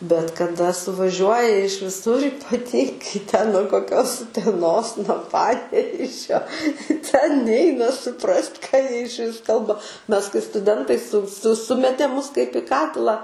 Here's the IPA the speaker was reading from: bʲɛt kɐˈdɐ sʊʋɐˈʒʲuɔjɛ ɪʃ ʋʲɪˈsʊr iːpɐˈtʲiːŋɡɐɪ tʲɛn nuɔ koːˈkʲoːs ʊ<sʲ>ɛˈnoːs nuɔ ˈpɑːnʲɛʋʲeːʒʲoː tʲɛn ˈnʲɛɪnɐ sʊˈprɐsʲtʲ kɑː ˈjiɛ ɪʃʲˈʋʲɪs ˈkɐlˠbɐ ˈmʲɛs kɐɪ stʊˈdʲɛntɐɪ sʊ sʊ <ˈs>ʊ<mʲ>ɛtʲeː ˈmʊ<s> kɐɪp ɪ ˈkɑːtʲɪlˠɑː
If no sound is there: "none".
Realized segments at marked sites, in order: tʲ, s, mʲ, s

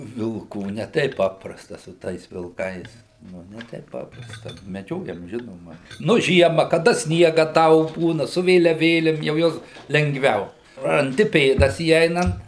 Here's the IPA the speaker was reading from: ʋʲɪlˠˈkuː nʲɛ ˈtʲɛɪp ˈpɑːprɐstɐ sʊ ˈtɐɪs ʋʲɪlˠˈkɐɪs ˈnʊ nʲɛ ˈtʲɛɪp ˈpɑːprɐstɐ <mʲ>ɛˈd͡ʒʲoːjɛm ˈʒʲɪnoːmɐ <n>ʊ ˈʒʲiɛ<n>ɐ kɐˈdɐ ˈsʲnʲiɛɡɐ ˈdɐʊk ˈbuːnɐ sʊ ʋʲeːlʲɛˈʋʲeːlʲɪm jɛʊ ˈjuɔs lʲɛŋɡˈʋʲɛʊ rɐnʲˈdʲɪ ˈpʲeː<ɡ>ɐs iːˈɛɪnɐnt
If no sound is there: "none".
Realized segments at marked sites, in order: mʲ, n, m, d

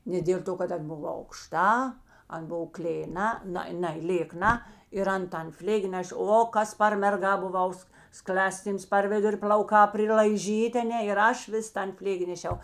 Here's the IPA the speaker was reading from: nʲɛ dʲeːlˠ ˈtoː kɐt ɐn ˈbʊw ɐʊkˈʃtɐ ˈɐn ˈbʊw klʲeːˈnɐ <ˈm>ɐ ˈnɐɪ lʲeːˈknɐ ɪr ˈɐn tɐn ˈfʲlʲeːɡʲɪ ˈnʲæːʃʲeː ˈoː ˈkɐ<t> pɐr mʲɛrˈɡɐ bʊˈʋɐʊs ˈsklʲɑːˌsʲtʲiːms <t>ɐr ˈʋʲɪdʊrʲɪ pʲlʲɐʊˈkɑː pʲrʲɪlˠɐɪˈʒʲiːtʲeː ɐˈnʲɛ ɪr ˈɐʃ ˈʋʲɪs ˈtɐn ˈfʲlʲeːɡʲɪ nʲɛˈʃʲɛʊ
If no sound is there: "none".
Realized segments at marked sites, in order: n, s, p

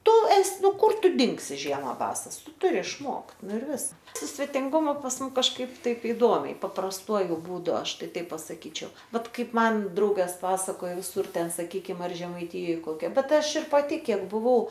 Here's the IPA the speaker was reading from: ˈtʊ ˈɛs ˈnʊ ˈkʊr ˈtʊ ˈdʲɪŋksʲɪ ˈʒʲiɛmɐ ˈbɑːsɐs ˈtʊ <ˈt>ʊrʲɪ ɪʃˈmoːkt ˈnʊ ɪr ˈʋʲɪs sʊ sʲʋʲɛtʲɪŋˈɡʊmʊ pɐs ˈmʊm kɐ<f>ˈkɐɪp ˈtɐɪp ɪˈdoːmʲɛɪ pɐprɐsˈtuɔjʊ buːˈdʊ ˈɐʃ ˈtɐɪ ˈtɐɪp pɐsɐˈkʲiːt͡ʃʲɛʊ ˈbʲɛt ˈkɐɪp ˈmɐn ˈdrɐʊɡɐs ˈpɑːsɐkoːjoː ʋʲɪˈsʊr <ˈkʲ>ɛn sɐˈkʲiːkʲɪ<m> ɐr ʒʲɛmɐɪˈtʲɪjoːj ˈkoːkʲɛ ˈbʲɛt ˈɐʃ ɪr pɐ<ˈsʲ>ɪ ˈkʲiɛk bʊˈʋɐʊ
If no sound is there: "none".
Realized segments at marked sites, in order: t, ʃ, tʲ, m, tʲ

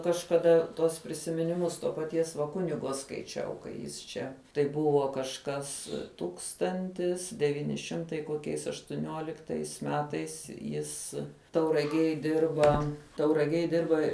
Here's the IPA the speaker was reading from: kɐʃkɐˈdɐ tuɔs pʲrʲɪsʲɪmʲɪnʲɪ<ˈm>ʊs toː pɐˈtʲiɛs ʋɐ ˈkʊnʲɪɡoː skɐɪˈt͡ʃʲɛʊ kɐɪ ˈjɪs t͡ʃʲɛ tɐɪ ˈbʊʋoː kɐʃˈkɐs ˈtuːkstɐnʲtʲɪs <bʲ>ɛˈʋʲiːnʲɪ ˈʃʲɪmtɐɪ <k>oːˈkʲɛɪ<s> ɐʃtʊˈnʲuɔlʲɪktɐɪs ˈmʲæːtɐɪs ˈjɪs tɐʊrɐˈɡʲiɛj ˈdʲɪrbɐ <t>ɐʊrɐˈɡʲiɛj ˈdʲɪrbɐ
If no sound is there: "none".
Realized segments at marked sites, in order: m, dʲ, k, s, t

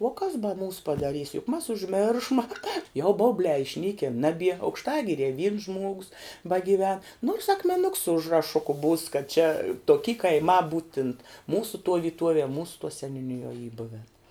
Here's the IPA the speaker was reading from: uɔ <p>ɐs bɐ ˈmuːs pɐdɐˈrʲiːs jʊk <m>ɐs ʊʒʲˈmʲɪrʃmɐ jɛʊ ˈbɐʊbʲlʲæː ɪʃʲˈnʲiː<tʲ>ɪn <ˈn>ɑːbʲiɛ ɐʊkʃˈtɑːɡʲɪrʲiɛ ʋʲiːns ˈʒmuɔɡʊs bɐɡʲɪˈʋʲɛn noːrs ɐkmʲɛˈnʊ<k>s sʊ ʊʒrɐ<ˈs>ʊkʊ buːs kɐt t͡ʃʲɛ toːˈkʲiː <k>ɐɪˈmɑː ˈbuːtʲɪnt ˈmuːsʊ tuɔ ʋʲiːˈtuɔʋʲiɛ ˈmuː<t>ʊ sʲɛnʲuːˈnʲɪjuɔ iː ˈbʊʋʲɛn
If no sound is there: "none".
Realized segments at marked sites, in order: k, m, kʲ, n, k, ʃ, k, s

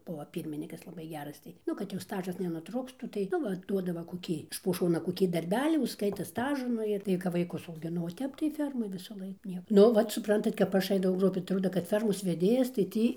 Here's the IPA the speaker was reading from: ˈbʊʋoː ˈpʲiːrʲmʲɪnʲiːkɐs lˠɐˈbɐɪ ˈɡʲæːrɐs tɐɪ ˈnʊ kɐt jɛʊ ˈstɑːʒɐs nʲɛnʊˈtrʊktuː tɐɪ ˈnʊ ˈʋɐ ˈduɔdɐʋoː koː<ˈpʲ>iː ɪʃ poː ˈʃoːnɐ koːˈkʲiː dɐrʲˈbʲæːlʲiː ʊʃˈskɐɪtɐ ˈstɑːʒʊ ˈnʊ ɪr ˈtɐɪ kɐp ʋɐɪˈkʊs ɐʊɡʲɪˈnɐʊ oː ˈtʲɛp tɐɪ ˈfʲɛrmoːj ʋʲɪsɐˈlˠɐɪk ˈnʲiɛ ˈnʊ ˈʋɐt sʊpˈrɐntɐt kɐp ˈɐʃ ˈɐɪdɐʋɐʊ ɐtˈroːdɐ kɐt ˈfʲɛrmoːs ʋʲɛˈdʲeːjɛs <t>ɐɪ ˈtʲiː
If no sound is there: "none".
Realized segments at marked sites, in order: kʲ, t

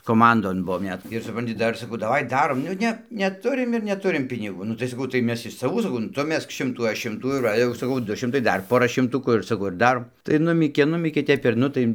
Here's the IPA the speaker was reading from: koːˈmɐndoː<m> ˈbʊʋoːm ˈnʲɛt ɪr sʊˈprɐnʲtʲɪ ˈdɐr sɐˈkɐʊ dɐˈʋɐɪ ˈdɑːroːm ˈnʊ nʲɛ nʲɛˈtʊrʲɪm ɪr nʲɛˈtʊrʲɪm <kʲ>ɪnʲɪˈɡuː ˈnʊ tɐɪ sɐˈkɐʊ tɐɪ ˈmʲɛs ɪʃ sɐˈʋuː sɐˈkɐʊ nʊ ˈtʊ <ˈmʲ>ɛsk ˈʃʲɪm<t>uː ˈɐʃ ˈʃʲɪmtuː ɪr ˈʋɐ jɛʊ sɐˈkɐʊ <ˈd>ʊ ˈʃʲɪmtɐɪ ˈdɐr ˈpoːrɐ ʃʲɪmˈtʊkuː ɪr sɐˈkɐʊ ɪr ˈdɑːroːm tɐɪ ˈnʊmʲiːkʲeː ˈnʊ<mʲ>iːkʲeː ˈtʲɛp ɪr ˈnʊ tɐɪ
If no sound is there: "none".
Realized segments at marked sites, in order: n, pʲ, mʲ, t, d, mʲ

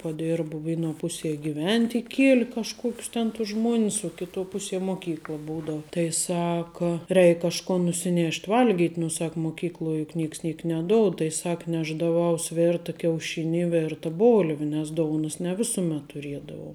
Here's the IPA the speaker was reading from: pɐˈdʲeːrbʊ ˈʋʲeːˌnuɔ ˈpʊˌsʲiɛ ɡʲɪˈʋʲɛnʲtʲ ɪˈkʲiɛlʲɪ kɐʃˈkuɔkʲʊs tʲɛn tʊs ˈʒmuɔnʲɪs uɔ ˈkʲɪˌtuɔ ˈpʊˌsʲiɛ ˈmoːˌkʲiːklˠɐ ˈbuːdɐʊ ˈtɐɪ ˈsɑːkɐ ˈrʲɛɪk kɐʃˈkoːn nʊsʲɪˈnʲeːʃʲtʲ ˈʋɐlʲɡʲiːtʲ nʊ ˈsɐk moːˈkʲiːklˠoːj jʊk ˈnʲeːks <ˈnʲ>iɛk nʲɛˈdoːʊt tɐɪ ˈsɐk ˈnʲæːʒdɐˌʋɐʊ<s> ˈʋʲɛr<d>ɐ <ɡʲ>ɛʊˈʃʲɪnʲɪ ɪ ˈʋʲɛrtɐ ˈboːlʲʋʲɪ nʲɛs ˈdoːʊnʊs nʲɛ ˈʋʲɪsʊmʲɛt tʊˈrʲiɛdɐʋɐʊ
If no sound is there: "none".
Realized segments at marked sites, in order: nʲ, s, t, kʲ

